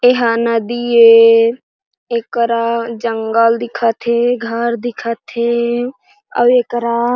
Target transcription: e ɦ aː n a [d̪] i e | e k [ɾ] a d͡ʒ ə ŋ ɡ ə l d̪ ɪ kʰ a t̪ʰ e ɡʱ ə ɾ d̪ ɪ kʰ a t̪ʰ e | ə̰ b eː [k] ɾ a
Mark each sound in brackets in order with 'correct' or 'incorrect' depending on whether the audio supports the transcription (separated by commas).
correct, correct, correct